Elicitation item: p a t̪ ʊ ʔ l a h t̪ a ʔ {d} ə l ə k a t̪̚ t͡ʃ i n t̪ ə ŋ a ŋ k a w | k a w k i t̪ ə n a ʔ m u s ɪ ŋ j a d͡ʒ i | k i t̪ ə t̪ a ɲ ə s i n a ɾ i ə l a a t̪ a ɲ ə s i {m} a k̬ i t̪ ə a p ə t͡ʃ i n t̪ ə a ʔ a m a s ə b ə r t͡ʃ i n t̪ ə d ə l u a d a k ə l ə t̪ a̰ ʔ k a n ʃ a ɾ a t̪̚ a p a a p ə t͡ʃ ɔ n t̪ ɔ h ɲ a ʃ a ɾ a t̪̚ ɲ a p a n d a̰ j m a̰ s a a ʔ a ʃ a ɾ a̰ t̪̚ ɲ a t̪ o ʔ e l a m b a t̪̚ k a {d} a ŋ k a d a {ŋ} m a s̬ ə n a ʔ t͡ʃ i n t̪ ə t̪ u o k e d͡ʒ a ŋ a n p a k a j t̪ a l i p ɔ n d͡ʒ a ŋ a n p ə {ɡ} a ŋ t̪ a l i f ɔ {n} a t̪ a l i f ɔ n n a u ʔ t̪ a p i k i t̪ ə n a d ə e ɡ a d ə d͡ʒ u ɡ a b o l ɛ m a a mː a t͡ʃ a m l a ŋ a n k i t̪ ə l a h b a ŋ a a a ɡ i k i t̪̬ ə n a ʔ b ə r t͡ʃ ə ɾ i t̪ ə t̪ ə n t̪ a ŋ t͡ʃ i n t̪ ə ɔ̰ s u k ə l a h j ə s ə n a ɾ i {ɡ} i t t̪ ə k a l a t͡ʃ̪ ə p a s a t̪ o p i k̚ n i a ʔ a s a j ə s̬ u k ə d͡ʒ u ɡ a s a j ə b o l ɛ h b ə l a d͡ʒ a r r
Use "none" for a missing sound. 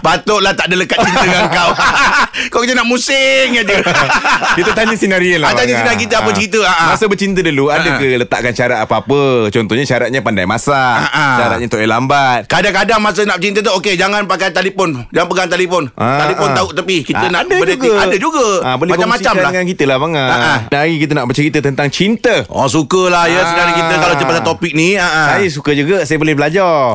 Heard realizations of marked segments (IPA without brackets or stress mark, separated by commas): d, n, d, ŋ, ɡ, n, k